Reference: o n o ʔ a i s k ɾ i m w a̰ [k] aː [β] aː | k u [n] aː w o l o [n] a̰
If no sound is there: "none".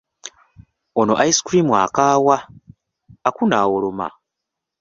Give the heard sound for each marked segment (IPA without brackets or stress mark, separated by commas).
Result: k, w, n, m